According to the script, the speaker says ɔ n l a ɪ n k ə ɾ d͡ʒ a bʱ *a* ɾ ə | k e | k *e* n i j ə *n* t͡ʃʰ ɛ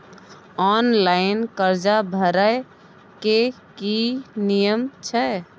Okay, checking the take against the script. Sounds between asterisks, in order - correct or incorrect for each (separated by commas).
incorrect, incorrect, incorrect